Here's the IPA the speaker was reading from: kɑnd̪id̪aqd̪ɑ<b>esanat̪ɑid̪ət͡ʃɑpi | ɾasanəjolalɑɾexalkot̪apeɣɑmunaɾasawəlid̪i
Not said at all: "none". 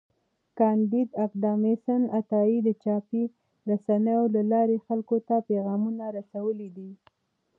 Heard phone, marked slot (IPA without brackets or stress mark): m